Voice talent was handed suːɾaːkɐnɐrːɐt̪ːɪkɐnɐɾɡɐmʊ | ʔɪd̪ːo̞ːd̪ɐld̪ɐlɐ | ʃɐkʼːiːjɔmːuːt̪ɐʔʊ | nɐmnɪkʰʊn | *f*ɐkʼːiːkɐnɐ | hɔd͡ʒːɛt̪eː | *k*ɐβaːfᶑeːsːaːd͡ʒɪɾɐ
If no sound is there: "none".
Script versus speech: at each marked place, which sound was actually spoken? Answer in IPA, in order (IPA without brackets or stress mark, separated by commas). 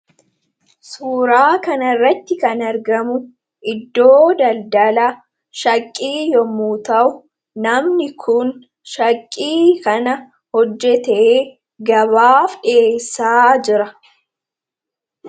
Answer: ʃ, ɡ